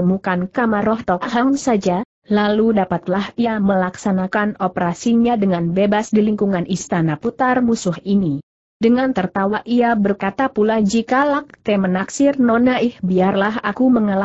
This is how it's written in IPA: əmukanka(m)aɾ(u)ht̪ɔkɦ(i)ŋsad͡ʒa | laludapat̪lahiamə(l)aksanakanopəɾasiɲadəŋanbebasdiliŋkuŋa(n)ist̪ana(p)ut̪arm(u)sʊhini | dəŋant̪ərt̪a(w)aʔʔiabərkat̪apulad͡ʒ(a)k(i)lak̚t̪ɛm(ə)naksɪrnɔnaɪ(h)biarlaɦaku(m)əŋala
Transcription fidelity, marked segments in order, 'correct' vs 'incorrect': correct, incorrect: ɔ, incorrect: a, correct, correct, correct, correct, correct, incorrect: i, incorrect: a, correct, correct, correct

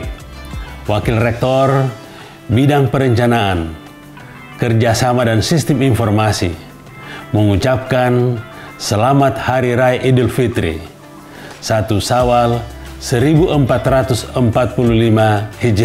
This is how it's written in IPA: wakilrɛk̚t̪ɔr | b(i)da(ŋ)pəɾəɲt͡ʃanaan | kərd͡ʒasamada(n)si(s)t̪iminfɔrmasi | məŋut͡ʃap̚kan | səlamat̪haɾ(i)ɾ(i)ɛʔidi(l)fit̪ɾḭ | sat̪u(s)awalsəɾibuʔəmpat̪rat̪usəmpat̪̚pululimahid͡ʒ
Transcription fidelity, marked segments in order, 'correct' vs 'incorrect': correct, correct, correct, correct, correct, incorrect: a, correct, correct

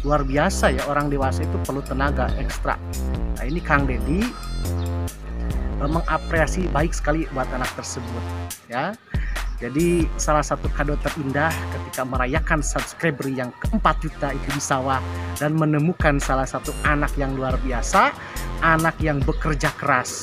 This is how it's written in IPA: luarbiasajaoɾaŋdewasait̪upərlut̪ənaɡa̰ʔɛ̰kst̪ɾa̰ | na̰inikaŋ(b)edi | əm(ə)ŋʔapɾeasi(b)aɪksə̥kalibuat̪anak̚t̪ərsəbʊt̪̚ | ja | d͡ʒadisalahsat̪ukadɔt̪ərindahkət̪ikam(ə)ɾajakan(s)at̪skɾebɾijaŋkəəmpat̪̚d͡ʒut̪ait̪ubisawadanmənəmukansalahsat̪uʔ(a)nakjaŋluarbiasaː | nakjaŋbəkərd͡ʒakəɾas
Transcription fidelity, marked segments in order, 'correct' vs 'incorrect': incorrect: d, correct, correct, correct, correct, correct

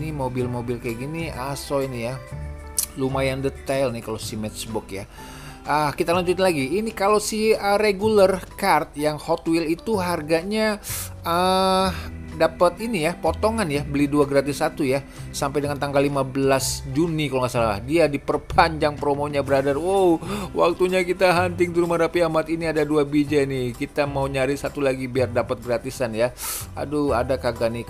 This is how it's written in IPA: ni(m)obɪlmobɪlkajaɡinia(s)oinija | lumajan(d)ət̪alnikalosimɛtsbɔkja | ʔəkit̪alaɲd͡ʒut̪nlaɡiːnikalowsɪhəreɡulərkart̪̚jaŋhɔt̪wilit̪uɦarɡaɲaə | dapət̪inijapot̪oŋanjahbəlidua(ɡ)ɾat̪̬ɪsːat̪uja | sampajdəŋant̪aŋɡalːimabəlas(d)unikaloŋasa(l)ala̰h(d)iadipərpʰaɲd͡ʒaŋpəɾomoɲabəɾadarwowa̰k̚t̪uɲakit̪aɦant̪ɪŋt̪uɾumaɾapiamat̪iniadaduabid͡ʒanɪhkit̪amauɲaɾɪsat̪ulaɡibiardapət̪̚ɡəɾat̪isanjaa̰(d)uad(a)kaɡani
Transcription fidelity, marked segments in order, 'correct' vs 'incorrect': correct, correct, correct, correct, incorrect: d͡ʒ, correct, correct, correct, correct

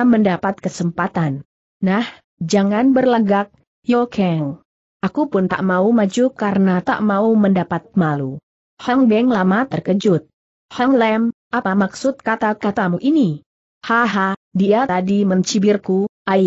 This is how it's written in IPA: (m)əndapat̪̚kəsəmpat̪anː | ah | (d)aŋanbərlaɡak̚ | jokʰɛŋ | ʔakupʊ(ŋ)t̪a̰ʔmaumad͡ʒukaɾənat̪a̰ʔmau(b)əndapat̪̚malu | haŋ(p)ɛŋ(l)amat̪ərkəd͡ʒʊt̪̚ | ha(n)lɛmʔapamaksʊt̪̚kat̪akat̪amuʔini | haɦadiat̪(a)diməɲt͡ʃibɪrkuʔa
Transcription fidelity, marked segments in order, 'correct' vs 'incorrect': correct, incorrect: d͡ʒ, incorrect: n, incorrect: m, incorrect: b, correct, incorrect: ŋ, correct

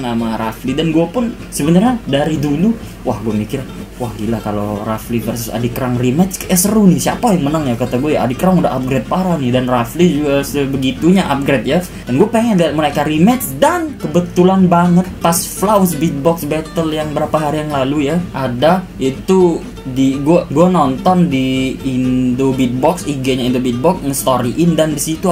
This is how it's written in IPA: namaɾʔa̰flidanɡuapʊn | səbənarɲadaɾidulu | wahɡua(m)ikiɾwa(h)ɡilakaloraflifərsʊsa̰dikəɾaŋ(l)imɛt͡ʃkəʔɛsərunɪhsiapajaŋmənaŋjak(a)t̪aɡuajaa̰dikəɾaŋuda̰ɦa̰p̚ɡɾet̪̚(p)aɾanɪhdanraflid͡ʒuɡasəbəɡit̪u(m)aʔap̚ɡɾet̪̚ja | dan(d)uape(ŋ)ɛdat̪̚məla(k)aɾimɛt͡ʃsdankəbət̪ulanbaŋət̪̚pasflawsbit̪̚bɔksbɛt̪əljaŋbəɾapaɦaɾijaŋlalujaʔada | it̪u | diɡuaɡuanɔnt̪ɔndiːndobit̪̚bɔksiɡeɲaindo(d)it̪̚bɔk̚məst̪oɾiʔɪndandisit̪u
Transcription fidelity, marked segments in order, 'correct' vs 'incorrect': correct, correct, incorrect: r, correct, correct, incorrect: ɲ, incorrect: ɡ, correct, correct, incorrect: b

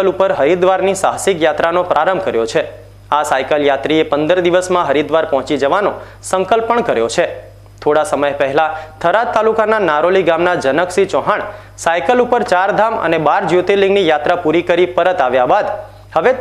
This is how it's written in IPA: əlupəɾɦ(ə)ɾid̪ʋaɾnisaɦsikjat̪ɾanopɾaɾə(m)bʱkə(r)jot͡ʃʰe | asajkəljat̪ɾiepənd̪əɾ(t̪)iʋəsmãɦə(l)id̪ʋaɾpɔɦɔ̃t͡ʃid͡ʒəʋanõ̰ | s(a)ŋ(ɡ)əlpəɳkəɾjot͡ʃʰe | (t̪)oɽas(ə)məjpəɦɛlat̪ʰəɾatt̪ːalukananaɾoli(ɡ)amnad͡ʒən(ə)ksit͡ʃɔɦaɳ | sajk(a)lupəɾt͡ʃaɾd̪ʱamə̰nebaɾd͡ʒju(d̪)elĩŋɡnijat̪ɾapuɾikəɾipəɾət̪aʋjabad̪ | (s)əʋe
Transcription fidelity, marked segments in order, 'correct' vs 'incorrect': correct, correct, incorrect: ɾ, incorrect: d̪, incorrect: ɾ, incorrect: ə, incorrect: k, incorrect: t̪ʰ, correct, correct, correct, incorrect: ə, incorrect: t̪, incorrect: h

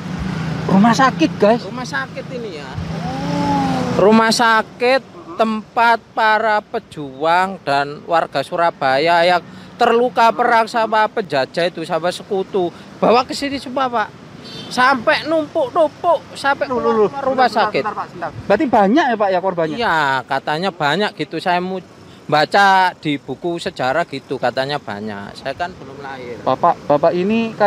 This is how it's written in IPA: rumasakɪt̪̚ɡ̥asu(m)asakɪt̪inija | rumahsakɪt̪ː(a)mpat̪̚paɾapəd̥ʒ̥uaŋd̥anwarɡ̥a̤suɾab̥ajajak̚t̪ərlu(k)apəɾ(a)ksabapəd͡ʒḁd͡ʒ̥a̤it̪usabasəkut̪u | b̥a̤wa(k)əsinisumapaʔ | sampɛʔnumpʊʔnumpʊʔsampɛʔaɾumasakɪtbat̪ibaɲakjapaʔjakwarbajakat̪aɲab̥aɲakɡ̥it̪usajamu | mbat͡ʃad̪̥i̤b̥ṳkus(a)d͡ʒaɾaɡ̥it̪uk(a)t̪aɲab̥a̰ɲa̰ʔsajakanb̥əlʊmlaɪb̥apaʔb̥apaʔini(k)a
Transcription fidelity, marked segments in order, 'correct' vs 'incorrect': correct, incorrect: ə, correct, correct, correct, incorrect: ə, correct, correct

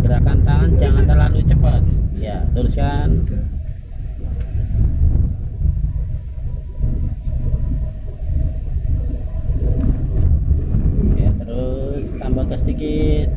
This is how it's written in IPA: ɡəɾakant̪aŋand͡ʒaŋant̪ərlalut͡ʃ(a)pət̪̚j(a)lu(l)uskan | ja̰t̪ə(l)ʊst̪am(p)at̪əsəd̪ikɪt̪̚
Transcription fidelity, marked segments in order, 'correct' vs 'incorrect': incorrect: ə, correct, incorrect: ɾ, incorrect: ɾ, incorrect: b

